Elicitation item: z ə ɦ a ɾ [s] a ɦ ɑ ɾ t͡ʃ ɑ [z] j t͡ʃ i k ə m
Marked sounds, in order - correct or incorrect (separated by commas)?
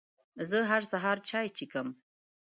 correct, incorrect